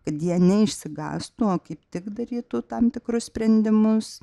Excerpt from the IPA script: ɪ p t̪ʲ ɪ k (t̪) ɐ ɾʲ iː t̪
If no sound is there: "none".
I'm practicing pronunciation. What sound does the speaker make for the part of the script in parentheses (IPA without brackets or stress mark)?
d̪